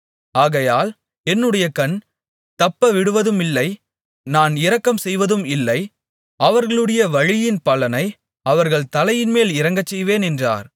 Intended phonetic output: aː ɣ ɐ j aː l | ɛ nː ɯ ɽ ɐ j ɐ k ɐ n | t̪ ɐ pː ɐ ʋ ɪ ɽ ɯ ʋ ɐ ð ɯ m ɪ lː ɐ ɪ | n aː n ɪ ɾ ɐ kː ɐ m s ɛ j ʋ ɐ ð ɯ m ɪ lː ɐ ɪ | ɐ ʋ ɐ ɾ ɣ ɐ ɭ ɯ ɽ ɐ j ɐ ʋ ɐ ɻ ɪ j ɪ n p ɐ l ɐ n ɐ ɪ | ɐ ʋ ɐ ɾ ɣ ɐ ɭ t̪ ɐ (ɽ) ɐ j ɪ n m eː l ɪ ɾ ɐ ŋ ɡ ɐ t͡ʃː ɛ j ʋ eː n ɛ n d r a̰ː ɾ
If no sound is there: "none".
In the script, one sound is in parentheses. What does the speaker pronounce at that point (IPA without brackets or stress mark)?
l